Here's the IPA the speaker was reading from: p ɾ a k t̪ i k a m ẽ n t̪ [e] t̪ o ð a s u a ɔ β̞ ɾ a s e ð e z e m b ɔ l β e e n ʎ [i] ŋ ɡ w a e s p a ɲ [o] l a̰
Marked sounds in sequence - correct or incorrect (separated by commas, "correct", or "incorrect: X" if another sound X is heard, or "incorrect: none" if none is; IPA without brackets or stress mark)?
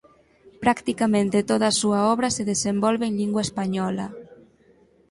correct, correct, incorrect: ɔ